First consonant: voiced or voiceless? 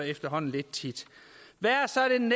voiceless